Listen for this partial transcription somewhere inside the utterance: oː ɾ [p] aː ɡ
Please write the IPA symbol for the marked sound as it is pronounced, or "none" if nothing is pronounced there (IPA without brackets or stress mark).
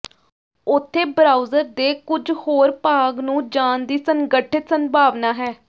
p